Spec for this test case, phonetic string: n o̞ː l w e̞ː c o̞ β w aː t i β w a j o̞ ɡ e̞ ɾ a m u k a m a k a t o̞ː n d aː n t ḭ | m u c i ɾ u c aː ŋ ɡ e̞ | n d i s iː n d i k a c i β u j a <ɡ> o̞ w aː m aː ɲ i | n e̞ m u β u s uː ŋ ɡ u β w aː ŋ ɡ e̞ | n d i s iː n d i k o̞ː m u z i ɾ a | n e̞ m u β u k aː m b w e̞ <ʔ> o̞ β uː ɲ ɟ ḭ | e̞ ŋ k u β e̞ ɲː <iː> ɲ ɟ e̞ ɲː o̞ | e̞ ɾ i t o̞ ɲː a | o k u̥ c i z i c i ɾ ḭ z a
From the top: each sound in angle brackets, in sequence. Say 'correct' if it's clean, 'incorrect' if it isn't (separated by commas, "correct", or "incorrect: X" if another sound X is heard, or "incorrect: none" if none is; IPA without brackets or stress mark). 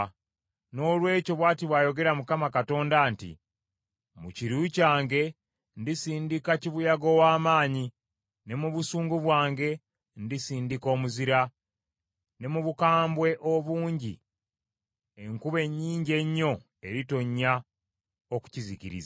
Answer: correct, correct, correct